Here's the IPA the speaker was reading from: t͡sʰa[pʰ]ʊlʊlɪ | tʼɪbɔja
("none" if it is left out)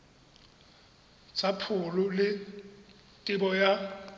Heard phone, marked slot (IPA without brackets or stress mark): pʰ